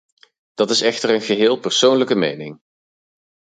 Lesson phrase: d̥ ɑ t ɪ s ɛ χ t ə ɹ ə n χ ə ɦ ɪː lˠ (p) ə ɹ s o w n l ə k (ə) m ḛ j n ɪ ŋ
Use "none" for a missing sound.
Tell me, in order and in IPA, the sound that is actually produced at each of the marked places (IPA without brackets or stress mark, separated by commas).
p, ə